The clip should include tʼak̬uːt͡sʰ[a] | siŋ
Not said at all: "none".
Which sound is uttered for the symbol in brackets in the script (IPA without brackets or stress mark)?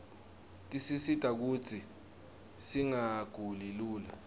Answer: i